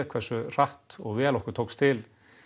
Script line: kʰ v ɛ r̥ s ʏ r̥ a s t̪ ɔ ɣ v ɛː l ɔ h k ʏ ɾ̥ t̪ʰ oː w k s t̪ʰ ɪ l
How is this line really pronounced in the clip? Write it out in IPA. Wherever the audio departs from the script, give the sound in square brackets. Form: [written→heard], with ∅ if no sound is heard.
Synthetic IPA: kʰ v ɛ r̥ s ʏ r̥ a [s→h] t̪ ɔ ɣ v ɛː l ɔ h k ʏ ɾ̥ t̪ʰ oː w k s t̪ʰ ɪ l